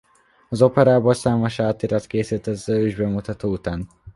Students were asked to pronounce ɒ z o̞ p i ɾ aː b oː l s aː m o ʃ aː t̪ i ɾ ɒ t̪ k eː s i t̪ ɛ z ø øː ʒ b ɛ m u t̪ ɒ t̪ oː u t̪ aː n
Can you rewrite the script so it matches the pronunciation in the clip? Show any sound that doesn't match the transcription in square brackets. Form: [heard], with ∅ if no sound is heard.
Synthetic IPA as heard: ɒ z o̞ p [ɛ] ɾ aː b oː l s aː m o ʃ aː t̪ i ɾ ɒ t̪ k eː s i t̪ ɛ z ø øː ʒ b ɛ m u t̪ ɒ t̪ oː u t̪ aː n